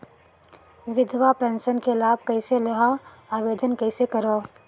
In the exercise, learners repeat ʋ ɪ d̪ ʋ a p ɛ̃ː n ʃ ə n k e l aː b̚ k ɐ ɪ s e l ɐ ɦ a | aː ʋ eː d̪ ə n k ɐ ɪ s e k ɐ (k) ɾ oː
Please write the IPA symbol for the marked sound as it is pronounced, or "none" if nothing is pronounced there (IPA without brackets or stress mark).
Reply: none